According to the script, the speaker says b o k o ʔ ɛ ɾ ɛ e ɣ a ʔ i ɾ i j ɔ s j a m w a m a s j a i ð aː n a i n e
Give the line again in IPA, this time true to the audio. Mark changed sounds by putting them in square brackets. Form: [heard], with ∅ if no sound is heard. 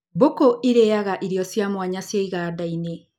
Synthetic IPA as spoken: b o k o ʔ [i] ɾ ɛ [a] ɣ a ʔ i ɾ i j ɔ s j a m w a [ɲ] a s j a i [ɣ] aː [d] a i n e